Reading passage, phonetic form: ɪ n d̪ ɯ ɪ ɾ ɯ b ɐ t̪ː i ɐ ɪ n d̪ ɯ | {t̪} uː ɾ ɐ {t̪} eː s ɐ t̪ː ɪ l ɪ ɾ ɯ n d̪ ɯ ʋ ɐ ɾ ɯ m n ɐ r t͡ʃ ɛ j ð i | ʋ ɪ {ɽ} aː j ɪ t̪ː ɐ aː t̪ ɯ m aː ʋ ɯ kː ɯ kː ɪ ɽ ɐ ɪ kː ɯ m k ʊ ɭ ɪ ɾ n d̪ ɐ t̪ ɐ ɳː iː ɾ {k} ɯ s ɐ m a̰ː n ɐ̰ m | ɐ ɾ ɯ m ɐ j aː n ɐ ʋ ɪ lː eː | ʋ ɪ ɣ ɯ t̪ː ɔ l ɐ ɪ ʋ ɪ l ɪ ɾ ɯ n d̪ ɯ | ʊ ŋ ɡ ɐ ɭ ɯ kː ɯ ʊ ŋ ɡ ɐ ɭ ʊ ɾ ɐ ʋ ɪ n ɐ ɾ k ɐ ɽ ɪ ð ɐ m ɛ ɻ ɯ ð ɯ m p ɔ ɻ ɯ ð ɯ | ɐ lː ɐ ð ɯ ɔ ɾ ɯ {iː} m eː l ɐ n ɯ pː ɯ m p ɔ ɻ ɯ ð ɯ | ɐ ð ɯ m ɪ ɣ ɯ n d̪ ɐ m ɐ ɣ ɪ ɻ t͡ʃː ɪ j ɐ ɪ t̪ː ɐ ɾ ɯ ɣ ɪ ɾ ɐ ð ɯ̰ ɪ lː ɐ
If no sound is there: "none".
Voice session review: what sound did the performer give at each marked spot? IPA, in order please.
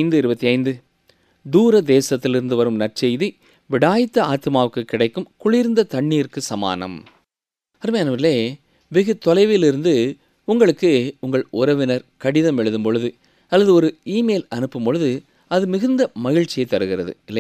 d̪, d̪, ɽ, k, iː

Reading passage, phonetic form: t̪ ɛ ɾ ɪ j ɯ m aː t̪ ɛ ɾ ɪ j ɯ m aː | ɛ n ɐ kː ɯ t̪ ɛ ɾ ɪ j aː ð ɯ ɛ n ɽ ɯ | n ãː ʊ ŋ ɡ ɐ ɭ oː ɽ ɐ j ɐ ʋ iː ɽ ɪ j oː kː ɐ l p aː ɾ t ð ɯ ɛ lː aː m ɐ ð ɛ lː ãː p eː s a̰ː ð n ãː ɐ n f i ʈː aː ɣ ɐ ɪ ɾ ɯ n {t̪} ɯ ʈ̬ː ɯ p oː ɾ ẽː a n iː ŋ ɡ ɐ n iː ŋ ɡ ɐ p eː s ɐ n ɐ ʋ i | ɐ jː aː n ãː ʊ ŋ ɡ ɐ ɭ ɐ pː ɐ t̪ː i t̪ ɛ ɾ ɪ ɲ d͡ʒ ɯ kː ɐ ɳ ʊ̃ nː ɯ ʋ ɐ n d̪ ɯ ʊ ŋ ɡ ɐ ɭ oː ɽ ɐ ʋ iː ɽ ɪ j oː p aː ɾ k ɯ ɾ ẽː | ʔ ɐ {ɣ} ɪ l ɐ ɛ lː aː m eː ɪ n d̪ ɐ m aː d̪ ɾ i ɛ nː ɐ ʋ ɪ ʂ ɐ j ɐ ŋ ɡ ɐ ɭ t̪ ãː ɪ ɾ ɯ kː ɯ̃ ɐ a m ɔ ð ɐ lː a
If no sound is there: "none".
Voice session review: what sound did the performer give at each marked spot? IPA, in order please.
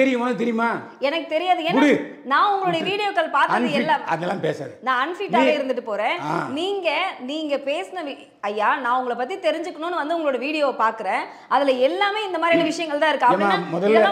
d̪, ð

